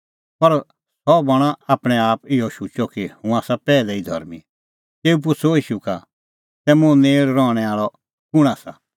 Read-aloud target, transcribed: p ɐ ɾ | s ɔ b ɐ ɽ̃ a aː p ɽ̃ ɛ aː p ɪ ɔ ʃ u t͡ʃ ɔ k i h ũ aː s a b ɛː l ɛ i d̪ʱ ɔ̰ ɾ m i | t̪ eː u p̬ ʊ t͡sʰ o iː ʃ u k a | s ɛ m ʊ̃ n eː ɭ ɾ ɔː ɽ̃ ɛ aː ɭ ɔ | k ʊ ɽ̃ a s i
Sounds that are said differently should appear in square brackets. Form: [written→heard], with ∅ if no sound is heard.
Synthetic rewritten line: p ɐ ɾ | s ɔ b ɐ ɽ̃ a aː p ɽ̃ ɛ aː p ɪ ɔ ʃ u t͡ʃ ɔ k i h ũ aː s a [b→p] ɛː l ɛ i d̪ʱ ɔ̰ ɾ m i | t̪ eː u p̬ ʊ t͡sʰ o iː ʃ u k a | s ɛ m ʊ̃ n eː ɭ ɾ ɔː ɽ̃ ɛ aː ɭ ɔ | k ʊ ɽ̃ a s [i→a]